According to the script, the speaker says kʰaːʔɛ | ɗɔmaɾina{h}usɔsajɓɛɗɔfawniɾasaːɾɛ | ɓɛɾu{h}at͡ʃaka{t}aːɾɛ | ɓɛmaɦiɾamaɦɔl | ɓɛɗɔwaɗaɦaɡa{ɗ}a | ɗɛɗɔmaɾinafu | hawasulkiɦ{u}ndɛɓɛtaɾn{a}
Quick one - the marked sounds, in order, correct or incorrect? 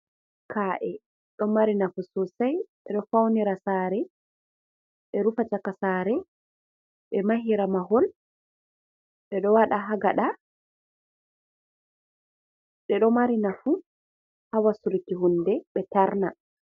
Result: incorrect, incorrect, incorrect, correct, correct, correct

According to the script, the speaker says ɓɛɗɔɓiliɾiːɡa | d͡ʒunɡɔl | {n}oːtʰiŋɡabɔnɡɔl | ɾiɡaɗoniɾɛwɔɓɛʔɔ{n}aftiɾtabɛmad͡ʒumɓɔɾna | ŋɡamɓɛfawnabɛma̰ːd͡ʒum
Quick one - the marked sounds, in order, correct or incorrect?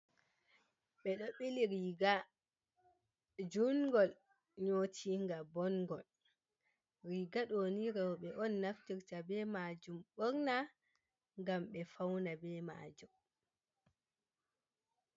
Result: incorrect, incorrect

